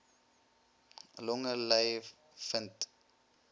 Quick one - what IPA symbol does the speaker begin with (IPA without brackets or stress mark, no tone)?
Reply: l